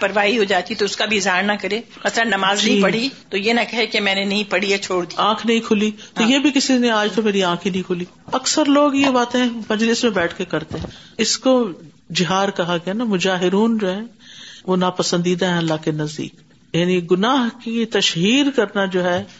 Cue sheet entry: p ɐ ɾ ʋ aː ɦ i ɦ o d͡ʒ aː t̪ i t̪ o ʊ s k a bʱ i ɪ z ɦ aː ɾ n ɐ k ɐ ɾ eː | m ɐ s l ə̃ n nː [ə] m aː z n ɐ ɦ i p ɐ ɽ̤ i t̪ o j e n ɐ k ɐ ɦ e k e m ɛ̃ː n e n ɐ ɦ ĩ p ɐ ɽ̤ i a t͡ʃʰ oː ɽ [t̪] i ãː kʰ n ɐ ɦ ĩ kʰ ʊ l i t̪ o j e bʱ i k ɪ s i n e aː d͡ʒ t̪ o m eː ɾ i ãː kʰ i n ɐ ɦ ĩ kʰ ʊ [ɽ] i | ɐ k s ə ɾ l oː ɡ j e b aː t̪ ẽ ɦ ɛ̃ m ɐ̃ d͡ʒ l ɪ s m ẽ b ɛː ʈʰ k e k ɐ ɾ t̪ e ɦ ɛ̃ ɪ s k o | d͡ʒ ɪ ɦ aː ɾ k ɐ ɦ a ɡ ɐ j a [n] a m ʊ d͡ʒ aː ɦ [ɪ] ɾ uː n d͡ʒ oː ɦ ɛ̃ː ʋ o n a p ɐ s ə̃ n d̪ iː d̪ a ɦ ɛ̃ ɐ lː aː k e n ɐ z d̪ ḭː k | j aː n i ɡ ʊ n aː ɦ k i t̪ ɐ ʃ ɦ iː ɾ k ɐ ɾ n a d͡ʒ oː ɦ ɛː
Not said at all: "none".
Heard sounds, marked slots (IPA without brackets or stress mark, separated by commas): ɐ, d̪, l, n, ɪ